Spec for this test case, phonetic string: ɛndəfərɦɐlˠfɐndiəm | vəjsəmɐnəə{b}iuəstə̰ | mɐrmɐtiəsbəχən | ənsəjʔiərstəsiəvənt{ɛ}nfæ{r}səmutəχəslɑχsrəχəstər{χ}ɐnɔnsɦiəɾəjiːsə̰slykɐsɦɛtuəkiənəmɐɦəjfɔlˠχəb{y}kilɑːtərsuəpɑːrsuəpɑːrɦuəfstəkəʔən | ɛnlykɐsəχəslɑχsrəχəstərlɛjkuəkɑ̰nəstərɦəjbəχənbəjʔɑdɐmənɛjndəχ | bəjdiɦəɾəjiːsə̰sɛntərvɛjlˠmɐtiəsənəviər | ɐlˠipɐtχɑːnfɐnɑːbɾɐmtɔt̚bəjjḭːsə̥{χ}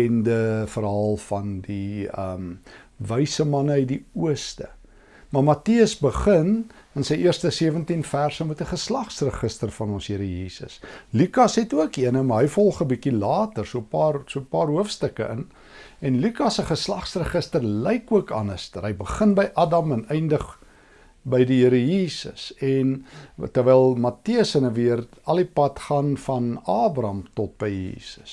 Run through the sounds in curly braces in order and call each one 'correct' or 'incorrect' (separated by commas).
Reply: incorrect, incorrect, correct, incorrect, incorrect, incorrect